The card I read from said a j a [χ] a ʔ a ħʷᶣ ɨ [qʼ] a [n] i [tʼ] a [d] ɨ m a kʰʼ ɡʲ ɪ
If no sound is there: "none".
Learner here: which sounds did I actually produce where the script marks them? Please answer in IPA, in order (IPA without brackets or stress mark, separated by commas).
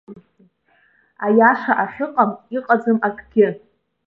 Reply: ʂ, qʼ, m, qʼ, d͡z